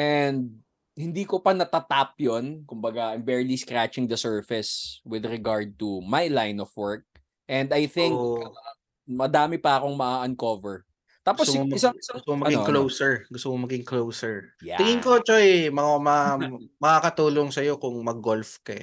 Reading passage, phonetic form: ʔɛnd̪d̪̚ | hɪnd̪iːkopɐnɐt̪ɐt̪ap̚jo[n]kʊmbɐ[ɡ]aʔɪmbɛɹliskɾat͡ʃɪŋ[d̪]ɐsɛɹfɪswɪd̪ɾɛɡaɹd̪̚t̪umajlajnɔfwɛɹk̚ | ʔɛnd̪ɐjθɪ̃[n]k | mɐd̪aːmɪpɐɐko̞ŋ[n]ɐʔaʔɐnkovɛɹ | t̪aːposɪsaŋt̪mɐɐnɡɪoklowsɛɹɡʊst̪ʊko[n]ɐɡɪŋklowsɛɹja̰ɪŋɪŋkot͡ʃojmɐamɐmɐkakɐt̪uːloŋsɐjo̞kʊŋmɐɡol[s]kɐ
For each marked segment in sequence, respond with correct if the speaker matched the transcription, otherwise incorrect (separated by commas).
correct, correct, correct, incorrect, incorrect, incorrect, incorrect